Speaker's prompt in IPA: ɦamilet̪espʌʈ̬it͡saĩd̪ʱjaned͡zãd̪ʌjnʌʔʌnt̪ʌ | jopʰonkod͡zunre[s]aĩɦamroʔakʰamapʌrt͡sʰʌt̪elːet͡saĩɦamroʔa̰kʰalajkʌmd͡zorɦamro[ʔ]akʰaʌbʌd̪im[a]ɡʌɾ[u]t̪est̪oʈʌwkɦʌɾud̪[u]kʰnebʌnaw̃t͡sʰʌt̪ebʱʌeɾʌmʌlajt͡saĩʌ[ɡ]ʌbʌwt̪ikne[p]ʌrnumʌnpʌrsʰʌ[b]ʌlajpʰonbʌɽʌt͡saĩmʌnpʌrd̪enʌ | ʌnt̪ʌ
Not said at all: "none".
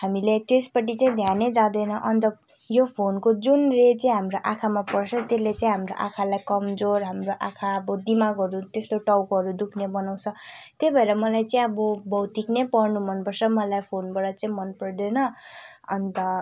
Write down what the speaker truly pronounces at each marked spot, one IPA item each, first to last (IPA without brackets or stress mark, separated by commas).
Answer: t͡s, ʔ, a, u, u, b, p, m